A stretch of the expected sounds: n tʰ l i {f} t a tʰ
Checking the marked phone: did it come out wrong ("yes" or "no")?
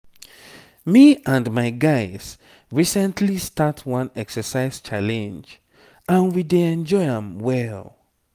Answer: yes